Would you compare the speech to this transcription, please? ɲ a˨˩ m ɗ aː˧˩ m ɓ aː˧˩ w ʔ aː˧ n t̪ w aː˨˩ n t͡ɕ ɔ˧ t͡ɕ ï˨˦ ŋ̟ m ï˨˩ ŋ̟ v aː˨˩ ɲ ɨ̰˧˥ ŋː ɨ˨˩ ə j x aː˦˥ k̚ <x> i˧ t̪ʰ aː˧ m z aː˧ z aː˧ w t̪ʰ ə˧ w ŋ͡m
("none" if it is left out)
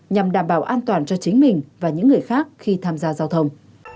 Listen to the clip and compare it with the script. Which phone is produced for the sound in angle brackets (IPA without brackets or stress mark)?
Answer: x